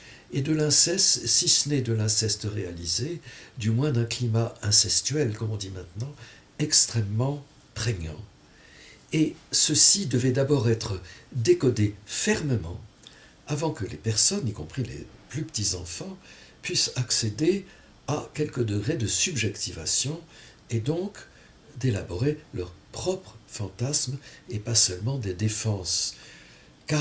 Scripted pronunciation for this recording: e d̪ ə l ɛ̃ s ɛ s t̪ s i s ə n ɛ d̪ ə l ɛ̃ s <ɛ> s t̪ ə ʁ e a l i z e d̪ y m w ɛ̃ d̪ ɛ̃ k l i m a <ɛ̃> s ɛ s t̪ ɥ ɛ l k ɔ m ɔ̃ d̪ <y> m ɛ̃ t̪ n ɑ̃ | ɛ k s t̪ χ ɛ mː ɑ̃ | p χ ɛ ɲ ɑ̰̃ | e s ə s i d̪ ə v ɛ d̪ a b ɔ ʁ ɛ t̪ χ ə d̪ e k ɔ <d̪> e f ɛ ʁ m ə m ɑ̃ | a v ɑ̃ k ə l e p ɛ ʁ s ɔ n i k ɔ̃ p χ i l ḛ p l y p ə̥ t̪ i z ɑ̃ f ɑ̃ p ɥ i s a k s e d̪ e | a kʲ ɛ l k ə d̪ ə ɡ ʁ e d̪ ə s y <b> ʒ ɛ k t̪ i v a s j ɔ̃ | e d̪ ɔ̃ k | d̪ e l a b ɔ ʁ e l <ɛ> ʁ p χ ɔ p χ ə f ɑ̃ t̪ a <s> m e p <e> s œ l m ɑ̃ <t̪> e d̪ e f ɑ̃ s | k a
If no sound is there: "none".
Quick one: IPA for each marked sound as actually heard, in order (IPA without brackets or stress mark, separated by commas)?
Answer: ɛ, ɛ̃, i, d̪, b, œ, s, a, d̪